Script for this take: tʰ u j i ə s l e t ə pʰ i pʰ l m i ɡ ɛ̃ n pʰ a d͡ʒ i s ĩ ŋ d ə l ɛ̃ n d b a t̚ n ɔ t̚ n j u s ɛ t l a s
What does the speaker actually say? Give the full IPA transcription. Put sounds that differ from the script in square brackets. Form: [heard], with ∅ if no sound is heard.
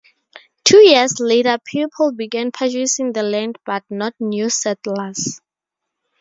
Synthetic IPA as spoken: tʰ u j i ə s l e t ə pʰ i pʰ l [b] i ɡ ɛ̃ n pʰ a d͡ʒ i s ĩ ŋ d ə l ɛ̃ n d b a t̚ n ɔ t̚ n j u s ɛ t l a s